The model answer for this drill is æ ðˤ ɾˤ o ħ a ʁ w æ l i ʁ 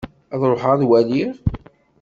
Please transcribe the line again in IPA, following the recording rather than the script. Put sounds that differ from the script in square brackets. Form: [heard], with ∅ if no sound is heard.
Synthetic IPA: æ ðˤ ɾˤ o ħ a [ð] w æ l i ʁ